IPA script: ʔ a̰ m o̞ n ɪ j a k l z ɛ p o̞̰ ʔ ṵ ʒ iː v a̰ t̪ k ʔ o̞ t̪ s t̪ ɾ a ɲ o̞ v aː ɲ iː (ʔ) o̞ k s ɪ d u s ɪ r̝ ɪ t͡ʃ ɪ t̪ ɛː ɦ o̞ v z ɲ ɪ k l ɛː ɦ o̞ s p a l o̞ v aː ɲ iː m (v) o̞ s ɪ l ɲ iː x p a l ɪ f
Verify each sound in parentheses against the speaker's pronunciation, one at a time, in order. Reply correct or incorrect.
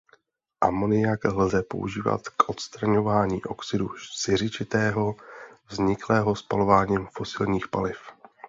correct, incorrect: f

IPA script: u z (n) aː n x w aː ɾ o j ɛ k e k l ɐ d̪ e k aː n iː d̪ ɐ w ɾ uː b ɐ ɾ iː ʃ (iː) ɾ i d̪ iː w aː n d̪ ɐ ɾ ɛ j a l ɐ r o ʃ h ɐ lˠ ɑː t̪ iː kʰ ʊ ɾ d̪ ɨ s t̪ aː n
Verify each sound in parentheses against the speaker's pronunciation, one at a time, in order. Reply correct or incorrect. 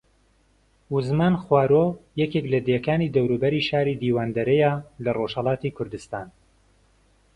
incorrect: m, incorrect: aː

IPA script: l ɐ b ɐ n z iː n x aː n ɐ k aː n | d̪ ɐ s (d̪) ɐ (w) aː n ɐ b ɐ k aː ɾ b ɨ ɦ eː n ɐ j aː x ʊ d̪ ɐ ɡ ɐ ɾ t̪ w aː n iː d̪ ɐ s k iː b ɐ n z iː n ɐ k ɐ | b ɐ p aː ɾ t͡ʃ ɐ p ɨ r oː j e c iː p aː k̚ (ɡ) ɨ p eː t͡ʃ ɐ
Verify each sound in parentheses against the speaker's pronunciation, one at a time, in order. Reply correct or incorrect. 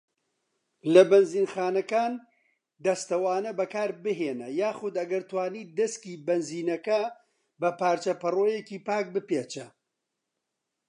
incorrect: t̪, correct, incorrect: b

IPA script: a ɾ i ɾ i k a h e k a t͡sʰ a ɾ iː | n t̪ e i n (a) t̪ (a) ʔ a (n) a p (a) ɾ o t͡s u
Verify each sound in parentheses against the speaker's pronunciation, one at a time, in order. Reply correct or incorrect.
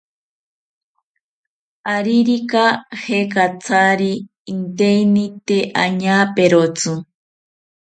incorrect: i, incorrect: e, incorrect: ɲ, incorrect: e

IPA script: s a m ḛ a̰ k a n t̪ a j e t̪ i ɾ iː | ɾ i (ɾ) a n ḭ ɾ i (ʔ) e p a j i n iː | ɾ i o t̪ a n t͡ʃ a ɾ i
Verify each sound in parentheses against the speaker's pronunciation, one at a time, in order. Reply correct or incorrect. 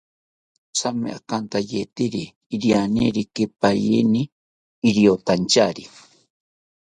incorrect: none, incorrect: k

